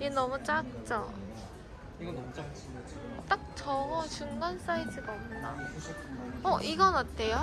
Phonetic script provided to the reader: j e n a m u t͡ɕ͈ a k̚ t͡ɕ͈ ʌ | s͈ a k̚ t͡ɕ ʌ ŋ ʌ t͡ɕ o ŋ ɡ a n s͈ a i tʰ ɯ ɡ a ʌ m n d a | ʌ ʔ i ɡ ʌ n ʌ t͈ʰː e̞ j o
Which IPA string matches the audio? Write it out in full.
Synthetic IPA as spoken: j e n ʌ m u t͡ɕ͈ a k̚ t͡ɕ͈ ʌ | t͈ a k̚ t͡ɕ ʌ ŋ ʌ t͡ɕ u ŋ ɡ a n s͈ a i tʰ ɯ ɡ a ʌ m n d a | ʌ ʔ i ɡ ʌ n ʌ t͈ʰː e̞ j o

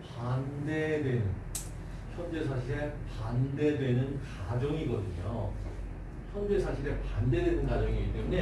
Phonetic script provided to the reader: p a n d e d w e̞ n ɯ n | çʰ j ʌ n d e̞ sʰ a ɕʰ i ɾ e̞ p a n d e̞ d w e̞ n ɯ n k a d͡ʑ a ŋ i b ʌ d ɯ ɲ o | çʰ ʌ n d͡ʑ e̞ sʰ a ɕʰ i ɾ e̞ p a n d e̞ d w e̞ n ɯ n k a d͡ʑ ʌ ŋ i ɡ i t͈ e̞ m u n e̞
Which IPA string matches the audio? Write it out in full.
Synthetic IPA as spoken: p a n d e d w e̞ n ɯ n | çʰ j ʌ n d͡ʑ e̞ sʰ a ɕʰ i ɾ e̞ p a n d e̞ d w e̞ n ɯ n k a d͡ʑ ʌ ŋ i ɡ ʌ d ɯ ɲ o | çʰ ʌ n d͡ʑ e̞ sʰ a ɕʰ i ɾ e̞ p a n d e̞ d w e̞ n ɯ n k a d͡ʑ ʌ ŋ i ɡ i t͈ e̞ m u n e̞

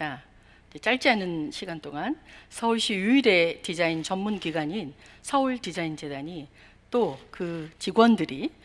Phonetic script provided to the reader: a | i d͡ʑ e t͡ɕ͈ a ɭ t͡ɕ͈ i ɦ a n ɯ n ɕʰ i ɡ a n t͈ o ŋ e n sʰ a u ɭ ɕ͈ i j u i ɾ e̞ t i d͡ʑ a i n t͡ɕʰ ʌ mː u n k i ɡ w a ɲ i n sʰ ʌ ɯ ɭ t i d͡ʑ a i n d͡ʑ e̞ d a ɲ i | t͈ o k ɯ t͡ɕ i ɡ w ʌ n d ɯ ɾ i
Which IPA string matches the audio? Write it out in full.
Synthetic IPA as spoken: a | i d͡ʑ e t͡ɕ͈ a ɭ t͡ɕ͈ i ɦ a n ɯ n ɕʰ i ɡ a n t͈ o ŋ a n sʰ ʌ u ɭ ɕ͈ i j u i ɾ e̞ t i d͡ʑ a i n t͡ɕ ʌ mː u n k i ɡ w a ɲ i n sʰ ʌ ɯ ɭ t i d͡ʑ a i n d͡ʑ e̞ d a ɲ i | t͈ o k ɯ t͡ɕ i ɡ w ʌ n d ɯ ɾ i

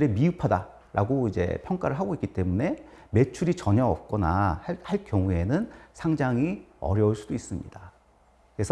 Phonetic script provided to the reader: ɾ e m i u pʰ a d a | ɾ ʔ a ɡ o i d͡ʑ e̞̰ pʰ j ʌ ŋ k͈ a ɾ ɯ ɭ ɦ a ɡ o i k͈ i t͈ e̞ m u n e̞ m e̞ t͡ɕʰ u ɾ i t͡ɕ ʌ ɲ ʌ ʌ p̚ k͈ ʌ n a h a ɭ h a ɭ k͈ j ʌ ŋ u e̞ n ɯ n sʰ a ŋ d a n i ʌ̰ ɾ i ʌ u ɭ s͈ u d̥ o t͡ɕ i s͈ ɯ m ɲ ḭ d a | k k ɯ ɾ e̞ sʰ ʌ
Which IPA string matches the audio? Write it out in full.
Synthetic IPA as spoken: ɾ e m i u pʰ a d a | ɾ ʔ a ɡ o i d͡ʑ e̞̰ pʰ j ʌ ŋ k͈ a ɾ ɯ ɭ ɦ a ɡ o i k͈ i t͈ e̞ m u n e̞ m e̞ t͡ɕʰ u ɾ i t͡ɕ ʌ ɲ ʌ ʌ p̚ k͈ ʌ n a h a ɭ h a ɭ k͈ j ʌ ŋ u e̞ n ɯ n sʰ a ŋ d͡ʑ a ŋ i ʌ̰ ɾ j ʌ u ɭ s͈ u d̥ o i s͈ ɯ m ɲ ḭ d a | k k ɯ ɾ e̞ sʰ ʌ

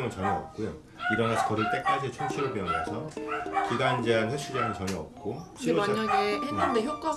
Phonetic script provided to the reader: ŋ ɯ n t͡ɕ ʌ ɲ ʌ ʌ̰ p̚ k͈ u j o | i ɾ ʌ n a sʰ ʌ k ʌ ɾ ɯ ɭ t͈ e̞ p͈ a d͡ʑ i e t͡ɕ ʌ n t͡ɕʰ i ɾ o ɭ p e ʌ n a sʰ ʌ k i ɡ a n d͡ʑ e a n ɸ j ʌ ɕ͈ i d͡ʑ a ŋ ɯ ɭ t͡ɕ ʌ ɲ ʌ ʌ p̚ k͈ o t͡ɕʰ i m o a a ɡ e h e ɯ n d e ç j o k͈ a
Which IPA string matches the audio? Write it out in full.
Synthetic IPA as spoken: ŋ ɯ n t͡ɕ ʌ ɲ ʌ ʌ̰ p̚ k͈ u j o | i ɾ ʌ n a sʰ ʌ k ʌ ɾ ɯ ɭ t͈ e̞ k͈ a d͡ʑ i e t͡ɕʰ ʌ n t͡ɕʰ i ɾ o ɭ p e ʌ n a sʰ ʌ k i ɡ a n d͡ʑ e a n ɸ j ʌ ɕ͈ i d͡ʑ a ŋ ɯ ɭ t͡ɕ ʌ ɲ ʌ ʌ p̚ k͈ o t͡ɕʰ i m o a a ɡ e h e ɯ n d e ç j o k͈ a

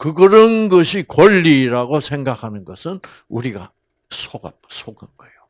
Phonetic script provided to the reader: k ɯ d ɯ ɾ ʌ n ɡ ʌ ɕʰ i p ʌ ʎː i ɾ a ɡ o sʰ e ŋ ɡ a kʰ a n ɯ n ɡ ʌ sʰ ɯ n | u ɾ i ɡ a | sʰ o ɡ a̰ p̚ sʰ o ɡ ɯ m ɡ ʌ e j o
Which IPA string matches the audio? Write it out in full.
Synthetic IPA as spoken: k ɯ ɡ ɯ ɾ ʌ n ɡ ʌ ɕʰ i k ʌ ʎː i ɾ a ɡ o sʰ e ŋ ɡ a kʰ a n ɯ n ɡ ʌ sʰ ɯ n | u ɾ i ɡ a | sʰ o ɡ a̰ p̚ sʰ o ɡ ɯ n ɡ ʌ e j o

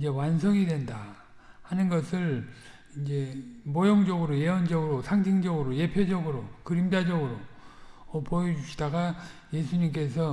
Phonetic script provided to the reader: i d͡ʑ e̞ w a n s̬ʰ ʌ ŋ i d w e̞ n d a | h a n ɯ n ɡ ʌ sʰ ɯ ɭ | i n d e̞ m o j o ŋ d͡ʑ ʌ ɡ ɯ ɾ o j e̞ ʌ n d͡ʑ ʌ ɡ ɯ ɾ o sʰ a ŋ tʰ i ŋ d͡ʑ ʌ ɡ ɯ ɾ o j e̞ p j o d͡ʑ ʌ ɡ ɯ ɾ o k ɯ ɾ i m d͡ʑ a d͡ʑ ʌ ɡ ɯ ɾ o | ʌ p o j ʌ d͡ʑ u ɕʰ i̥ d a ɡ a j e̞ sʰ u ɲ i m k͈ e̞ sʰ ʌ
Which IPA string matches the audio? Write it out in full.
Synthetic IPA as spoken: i d͡ʑ e̞ w a n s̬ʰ ʌ ŋ i d w e̞ n d a | h a n ɯ n ɡ ʌ sʰ ɯ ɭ | i n d͡ʑ e̞ m o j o ŋ d͡ʑ ʌ ɡ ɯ ɾ o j e̞ ʌ n d͡ʑ ʌ ɡ ɯ ɾ o sʰ a ŋ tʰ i ŋ d͡ʑ ʌ ɡ ɯ ɾ o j e̞ pʰ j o d͡ʑ ʌ ɡ ɯ ɾ o k ɯ ɾ i m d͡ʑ a d͡ʑ ʌ ɡ ɯ ɾ o | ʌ p o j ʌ d͡ʑ u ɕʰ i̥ d a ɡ a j e̞ sʰ u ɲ i m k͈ e̞ sʰ ʌ

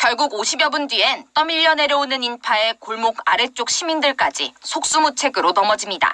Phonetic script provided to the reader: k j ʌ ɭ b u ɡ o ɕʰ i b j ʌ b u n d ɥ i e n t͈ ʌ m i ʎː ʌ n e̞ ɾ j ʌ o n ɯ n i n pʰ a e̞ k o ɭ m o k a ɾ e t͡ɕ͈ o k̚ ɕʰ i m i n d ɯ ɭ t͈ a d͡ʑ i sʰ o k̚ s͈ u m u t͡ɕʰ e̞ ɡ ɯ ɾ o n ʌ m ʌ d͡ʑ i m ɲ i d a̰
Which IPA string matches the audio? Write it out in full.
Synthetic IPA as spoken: k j ʌ ɭ ɡ u ɡ o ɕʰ i b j ʌ b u n d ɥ i e n t͈ ʌ m i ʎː ʌ n e̞ ɾ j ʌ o n ɯ n i n pʰ a e̞ k o ɭ m o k a ɾ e t͡ɕ͈ o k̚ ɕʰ i m i n d ɯ ɭ k͈ a d͡ʑ i sʰ o k̚ s͈ u m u t͡ɕʰ e̞ ɡ ɯ ɾ o n ʌ m ʌ d͡ʑ i m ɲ i d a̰

